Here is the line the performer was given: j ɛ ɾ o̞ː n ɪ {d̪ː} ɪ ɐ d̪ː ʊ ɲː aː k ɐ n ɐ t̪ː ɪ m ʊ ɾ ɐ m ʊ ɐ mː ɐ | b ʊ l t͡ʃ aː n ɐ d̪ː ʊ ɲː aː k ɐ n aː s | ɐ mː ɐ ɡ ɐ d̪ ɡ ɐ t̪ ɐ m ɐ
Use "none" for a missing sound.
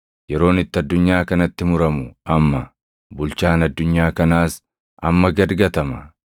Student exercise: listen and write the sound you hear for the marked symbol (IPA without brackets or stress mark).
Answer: t̪ː